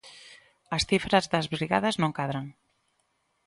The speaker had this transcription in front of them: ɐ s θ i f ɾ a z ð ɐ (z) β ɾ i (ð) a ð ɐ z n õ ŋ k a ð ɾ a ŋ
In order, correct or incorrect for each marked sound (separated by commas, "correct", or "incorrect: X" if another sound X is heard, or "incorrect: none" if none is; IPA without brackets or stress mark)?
correct, incorrect: ɣ